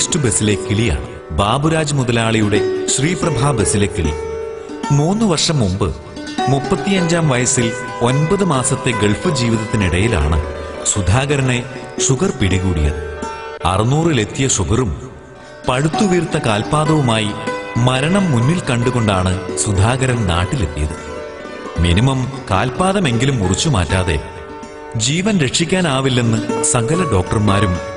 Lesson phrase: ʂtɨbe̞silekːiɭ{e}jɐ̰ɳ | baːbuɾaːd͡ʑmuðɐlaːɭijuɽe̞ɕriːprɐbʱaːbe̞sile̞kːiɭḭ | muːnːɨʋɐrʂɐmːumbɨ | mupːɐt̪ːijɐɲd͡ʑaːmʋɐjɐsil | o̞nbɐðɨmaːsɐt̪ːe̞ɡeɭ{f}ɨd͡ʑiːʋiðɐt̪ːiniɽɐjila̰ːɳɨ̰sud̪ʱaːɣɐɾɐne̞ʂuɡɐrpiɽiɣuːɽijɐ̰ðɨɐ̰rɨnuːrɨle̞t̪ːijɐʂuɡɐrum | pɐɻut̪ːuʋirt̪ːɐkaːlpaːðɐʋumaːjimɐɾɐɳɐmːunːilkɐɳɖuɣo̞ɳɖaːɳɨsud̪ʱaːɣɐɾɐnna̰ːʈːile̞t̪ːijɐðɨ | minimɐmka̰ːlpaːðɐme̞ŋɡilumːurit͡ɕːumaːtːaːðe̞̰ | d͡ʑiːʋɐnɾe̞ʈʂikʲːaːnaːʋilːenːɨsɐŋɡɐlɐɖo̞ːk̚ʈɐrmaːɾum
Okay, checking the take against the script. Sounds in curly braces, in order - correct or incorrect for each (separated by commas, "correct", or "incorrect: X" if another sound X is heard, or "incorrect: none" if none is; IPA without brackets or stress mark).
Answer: incorrect: i, correct